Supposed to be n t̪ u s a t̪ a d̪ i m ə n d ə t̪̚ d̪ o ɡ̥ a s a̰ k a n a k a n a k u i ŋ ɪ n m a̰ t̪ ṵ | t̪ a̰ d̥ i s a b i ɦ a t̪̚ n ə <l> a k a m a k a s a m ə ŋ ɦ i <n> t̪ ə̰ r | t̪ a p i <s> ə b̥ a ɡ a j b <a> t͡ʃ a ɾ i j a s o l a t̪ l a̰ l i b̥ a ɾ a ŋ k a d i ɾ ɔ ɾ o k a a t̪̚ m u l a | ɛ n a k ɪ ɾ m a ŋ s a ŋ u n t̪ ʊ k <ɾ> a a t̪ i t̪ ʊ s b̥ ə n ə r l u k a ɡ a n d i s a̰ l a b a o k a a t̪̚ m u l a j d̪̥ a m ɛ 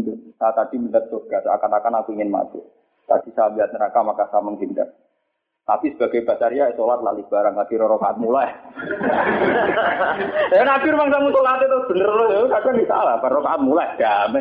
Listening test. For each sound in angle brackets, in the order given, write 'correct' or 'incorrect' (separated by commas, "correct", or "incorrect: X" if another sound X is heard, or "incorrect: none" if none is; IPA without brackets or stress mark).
incorrect: ɾ, correct, correct, correct, incorrect: l